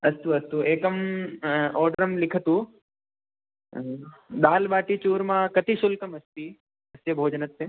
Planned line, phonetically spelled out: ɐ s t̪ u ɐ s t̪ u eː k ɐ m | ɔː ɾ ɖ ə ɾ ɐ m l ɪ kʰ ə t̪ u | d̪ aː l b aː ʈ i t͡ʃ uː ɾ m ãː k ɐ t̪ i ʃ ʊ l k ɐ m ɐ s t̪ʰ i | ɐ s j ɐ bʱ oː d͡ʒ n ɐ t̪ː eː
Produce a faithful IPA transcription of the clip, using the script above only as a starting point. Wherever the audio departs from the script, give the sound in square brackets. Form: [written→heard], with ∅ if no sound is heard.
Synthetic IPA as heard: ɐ s t̪ u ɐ s t̪ u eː k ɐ m | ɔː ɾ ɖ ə ɾ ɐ m l ɪ kʰ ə t̪ u | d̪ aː l b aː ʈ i t͡ʃ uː ɾ m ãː k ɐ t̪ i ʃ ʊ l k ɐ m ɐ s [t̪ʰ→t̪] i | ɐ s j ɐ bʱ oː d͡ʒ n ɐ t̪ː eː